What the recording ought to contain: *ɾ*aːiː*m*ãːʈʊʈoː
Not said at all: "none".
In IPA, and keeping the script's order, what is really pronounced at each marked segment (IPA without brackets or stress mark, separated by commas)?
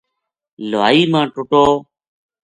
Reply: l, m